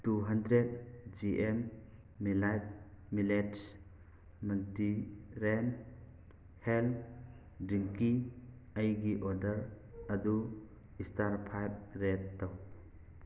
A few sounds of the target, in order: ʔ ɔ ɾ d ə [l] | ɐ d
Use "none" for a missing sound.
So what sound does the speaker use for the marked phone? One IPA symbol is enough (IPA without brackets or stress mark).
ɾ